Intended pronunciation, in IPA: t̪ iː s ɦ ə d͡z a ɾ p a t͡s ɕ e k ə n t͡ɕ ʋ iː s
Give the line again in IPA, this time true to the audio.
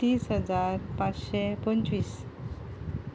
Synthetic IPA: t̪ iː s ɦ ə d͡z a ɾ p a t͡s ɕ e p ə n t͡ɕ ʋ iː s